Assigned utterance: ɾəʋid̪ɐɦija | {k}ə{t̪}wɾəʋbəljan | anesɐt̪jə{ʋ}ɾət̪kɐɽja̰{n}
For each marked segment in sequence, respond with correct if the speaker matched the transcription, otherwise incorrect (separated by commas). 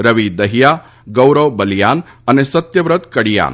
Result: incorrect, incorrect, correct, correct